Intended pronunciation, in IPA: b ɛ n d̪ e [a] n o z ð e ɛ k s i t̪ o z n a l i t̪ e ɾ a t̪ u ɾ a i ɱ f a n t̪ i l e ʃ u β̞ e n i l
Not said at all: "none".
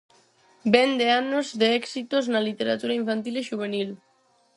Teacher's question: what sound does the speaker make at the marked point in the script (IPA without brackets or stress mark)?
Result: a